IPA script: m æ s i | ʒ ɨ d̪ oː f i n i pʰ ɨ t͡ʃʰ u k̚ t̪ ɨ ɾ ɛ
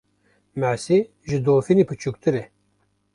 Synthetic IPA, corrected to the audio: m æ s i | ʒ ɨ d̪ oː f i n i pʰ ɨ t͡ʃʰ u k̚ t̪ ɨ ɾ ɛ